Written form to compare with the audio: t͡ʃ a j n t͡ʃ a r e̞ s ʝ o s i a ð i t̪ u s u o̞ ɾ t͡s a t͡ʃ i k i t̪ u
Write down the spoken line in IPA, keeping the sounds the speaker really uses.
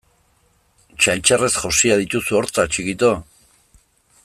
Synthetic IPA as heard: t͡ʃ a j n t͡ʃ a r e̞ s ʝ o s i a ð i t̪ u s u o̞ ɾ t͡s a t͡ʃ i k i t̪ o